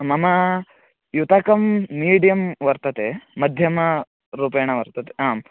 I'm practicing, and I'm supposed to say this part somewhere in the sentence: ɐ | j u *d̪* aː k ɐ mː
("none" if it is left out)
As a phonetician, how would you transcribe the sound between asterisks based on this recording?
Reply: t̪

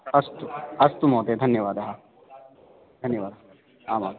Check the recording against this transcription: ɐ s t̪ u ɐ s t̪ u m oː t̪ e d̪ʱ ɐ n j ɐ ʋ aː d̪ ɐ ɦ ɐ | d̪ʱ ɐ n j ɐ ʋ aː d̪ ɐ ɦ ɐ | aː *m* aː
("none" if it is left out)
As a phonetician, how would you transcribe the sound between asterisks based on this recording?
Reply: m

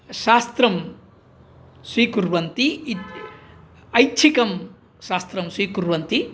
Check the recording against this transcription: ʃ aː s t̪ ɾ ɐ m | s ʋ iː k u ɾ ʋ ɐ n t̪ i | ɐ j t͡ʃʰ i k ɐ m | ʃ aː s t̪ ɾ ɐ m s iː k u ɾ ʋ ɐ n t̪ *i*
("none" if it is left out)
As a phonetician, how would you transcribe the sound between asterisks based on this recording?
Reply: i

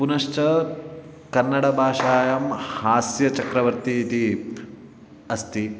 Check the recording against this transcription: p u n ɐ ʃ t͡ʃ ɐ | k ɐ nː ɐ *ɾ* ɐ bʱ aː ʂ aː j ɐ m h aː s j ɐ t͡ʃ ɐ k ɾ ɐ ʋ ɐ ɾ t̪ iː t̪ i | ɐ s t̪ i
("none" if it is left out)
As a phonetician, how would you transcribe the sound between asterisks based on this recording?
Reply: ɽ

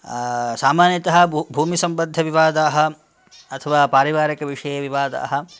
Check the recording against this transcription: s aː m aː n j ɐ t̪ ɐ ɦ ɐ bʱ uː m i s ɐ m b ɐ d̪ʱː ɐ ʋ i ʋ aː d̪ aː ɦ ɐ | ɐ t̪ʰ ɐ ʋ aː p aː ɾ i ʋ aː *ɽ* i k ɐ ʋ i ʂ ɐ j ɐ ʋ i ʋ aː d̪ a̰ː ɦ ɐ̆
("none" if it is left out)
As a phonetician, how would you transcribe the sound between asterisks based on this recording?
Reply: ɾ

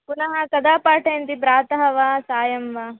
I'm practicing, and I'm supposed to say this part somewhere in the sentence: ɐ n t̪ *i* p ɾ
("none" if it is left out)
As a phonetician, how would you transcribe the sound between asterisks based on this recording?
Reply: i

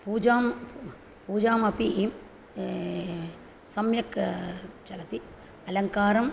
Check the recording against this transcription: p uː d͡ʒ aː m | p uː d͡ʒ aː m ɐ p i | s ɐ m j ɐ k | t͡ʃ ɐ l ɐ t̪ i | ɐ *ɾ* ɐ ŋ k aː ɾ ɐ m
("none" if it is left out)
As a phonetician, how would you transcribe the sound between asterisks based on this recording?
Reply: l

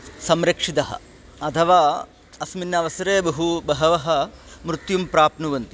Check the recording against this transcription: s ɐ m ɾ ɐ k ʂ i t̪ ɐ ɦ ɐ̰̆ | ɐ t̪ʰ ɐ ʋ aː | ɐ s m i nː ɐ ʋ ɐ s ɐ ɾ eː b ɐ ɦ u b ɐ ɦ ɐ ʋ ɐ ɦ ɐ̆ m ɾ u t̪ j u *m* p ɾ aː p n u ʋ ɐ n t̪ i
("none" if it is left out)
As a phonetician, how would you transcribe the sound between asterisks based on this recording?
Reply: m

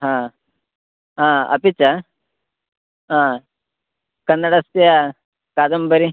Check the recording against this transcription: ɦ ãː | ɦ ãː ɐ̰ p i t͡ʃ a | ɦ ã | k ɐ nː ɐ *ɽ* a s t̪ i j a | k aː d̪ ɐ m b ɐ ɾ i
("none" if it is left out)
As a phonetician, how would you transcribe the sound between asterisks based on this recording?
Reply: ɽ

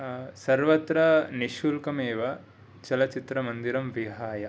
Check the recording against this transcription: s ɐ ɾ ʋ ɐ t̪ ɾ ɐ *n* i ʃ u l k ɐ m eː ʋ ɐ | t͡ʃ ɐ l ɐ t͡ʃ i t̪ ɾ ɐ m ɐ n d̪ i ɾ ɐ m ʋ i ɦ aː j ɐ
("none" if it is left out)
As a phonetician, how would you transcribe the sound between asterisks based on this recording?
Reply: n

